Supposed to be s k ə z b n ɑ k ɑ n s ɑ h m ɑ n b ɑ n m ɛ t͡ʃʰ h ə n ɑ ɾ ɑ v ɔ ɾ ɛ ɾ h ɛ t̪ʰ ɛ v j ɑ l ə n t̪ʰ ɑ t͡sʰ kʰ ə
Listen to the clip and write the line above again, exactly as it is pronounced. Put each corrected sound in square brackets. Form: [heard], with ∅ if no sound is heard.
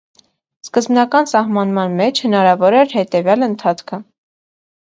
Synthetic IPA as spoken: s k ə z b n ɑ k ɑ n s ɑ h m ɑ n [m] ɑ n m ɛ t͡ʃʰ h ə n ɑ ɾ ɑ v ɔ ɾ ɛ ɾ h ɛ [t̪] ɛ v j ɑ l ə n t̪ʰ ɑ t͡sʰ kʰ ə